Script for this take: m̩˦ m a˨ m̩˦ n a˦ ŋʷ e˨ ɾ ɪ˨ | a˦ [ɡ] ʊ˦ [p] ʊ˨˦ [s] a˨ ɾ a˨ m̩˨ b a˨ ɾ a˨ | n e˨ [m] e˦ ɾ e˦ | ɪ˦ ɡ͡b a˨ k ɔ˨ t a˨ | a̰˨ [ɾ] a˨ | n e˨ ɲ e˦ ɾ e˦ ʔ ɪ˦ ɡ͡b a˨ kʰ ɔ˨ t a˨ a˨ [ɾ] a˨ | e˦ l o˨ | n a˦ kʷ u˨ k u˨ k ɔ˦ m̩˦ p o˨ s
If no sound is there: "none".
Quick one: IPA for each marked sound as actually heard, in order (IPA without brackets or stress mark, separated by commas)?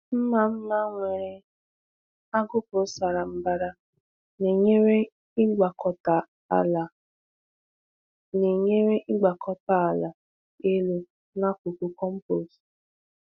ɡ, p, s, ɲ, l, l